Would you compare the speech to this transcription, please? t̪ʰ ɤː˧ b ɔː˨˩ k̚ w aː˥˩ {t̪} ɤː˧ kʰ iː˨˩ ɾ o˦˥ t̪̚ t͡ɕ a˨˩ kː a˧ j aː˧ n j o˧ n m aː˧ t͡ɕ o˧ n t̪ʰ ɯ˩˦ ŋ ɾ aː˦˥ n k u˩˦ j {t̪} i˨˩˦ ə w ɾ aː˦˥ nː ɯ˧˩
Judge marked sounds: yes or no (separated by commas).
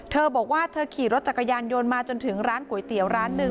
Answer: no, yes